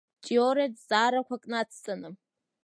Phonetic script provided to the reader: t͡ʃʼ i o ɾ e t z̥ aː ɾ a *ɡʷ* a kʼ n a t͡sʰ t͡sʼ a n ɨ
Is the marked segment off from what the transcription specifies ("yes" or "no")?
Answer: yes